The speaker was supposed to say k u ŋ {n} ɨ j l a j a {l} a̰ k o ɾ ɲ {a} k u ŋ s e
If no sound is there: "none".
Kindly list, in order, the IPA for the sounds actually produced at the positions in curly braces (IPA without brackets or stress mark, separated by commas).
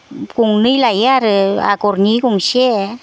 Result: n, ɾ, i